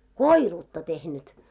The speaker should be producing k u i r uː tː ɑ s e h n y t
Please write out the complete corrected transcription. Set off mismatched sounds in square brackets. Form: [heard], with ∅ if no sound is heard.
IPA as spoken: k [o] i r uː tː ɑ [t] e h n y t